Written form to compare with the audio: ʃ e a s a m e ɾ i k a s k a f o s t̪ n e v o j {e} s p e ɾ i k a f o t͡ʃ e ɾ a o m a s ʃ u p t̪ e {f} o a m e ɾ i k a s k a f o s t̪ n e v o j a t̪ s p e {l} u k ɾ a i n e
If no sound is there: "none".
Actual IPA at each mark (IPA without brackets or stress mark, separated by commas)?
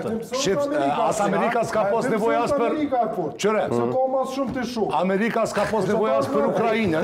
a, ʃ, ɾ